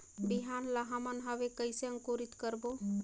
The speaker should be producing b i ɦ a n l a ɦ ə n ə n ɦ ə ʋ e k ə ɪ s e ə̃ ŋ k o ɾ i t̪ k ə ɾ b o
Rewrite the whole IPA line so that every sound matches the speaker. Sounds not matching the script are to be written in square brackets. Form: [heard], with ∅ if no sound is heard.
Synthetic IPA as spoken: b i ɦ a n l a ɦ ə [m] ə n ɦ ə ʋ e k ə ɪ s e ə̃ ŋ k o ɾ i t̪ k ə ɾ b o